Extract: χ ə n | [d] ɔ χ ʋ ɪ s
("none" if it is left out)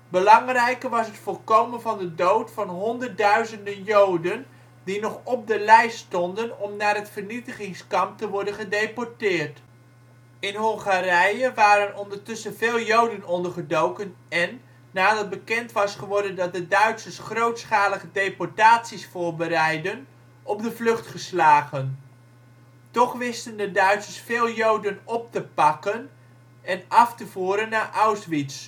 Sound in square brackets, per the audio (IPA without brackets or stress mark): t